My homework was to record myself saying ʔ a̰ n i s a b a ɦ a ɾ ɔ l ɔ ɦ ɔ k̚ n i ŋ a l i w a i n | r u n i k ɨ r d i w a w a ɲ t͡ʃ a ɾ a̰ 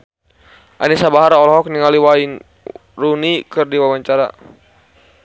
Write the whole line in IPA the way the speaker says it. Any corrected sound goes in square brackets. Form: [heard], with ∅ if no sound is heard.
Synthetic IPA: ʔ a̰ n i s a b a ɦ a ɾ ɔ l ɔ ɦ ɔ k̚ n i ŋ a l i w a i n | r u n i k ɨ r d i w a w a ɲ t͡ʃ a ɾ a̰